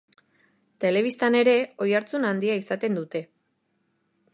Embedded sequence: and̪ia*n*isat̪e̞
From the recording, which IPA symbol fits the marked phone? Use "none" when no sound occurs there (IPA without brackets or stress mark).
none